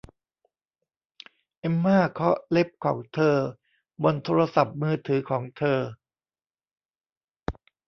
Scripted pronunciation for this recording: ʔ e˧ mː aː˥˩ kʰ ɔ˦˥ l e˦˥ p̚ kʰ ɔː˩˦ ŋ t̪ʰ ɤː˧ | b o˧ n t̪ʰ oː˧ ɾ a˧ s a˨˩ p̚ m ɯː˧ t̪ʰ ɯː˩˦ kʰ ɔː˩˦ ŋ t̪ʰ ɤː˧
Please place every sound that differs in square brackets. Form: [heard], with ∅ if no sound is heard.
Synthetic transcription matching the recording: ʔ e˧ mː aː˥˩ kʰ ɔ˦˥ l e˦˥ p̚ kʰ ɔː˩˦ ŋ t̪ʰ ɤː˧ | b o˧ n t̪ʰ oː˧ ɾ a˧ s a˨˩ p̚ m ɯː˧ t̪ʰ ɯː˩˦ kʰ ɔː˩˦ ŋ t̪ʰ ɤː˧